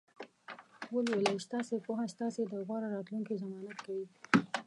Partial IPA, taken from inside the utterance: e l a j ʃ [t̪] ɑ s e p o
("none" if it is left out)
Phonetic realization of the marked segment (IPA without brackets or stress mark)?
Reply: t̪